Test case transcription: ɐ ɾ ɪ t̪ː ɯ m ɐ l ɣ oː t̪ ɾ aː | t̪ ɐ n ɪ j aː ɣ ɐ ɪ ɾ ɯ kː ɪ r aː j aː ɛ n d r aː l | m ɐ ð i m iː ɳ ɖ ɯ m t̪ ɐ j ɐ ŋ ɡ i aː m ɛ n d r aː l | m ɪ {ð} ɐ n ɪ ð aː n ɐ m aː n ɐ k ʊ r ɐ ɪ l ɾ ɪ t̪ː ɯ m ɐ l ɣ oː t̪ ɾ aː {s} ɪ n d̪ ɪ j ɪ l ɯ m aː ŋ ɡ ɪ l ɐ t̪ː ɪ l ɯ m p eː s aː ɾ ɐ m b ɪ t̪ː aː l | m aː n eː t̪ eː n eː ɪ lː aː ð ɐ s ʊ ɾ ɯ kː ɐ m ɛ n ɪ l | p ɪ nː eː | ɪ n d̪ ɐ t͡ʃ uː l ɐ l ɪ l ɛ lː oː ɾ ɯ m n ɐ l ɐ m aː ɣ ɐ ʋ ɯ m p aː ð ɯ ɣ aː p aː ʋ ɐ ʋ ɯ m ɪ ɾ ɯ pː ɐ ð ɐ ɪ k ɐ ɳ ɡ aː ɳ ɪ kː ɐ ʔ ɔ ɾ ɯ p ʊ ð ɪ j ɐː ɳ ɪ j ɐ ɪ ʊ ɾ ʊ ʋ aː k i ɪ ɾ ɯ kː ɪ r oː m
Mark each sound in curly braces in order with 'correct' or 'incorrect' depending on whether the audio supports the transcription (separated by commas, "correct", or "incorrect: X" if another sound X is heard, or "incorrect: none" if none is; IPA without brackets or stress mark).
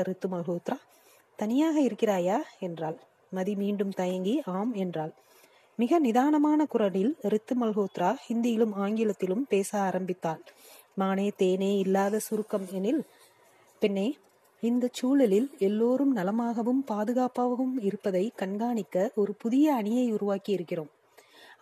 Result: incorrect: ɣ, incorrect: h